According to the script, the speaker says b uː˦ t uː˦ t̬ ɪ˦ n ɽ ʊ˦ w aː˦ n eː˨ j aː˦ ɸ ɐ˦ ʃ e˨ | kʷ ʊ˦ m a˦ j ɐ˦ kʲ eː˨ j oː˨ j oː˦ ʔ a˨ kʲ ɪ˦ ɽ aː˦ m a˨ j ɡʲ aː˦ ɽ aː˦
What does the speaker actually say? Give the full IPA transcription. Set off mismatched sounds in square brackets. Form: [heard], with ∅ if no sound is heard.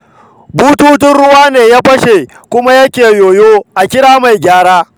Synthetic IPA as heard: b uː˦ t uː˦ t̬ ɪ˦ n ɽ ʊ˦ w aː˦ n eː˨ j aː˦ ɸ ɐ˦ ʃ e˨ | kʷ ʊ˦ m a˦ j ɐ˦ kʲ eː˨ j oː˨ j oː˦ ʔ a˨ kʲ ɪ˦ ɽ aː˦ m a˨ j ɡʲ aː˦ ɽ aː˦

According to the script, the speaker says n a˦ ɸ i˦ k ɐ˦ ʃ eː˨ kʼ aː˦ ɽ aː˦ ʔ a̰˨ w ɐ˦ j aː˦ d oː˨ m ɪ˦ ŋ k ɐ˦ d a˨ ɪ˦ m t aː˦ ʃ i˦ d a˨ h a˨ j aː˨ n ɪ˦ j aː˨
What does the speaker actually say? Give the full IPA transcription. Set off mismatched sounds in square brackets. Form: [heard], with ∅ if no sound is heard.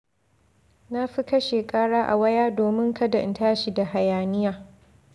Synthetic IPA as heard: n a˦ ɸ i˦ k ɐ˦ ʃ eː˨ kʼ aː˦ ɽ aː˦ ʔ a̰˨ w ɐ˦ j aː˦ d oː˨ m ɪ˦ ŋ k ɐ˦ d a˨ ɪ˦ [n] t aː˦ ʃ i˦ d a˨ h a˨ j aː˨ n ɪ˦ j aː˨

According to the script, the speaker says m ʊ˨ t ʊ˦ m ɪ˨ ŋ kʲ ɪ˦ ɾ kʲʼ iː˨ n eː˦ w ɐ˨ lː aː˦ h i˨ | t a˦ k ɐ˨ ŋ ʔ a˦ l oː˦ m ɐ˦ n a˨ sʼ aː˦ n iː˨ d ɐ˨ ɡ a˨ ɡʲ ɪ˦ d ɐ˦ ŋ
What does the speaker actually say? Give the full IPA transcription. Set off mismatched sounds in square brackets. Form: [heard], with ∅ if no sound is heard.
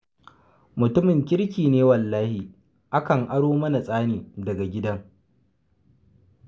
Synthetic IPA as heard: m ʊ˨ t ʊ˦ m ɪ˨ ŋ kʲ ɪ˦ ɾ [kʲ] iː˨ n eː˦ w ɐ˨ lː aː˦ h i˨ | [ʔ] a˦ k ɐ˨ ŋ ʔ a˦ [ɽ] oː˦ m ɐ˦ n a˨ sʼ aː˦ n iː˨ d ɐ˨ ɡ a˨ ɡʲ ɪ˦ d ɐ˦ ŋ

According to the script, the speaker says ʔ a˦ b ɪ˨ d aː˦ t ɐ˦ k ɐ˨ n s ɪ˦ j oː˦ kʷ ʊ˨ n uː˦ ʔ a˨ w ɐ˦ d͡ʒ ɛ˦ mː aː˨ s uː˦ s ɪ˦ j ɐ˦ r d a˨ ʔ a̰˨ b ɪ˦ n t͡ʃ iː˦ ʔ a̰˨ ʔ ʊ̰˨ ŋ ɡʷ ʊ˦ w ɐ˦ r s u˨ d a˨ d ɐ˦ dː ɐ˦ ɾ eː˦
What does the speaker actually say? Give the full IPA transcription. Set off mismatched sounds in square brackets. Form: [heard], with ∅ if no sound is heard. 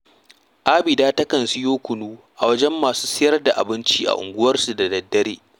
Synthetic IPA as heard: ʔ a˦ b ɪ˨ d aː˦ t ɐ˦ k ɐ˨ n s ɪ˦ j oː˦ kʷ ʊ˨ n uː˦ ʔ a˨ w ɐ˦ d͡ʒ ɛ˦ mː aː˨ s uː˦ s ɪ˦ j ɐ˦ r d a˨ ʔ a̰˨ b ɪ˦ n t͡ʃ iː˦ ʔ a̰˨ ʔ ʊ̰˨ ŋ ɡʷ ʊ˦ w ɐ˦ r s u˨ d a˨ d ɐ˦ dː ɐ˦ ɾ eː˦

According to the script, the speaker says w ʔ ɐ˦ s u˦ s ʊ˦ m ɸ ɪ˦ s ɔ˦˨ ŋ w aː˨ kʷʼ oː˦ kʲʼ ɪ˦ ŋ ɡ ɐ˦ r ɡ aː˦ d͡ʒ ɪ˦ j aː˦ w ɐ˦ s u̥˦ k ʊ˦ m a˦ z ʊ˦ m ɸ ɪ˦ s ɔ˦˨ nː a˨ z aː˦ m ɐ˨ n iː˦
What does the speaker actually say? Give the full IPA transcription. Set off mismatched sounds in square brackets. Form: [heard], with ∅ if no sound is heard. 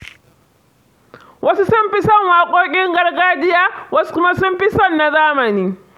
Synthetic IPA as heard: w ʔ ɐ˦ s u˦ s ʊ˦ m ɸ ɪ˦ s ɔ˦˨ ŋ w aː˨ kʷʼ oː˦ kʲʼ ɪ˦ ŋ ɡ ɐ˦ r ɡ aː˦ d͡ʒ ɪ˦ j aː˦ w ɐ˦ s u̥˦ k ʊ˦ m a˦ [s] ʊ˦ m ɸ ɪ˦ s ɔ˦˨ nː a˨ z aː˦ m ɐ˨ n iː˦

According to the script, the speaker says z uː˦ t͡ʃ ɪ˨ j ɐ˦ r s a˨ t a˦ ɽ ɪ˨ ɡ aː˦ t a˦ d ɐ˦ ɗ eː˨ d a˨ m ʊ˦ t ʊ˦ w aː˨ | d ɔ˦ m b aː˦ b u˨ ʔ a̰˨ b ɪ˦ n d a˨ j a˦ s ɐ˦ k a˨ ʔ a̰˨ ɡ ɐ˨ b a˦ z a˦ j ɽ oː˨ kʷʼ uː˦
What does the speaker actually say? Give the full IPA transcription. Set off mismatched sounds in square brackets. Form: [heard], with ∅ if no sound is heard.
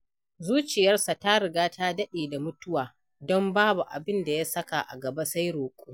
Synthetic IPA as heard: z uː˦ t͡ʃ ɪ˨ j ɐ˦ r s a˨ t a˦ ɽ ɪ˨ ɡ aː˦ t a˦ d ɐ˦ ɗ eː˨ d a˨ m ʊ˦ t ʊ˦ w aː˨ | d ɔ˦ m b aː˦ b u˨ ʔ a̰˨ b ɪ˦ n d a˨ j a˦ s ɐ˦ k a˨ ʔ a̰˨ ɡ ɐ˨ b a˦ [s] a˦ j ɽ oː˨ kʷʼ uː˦

